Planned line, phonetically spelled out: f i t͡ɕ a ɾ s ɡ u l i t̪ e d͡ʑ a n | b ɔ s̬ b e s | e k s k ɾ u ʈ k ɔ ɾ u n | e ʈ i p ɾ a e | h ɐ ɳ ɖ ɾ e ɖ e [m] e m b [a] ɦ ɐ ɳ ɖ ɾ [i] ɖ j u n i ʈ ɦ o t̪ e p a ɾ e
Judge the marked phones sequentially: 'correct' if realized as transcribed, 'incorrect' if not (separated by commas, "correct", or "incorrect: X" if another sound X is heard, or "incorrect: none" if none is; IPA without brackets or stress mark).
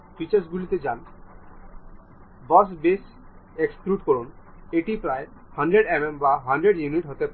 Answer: correct, correct, incorrect: e